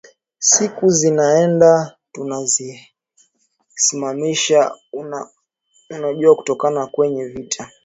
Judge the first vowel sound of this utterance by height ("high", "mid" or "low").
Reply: high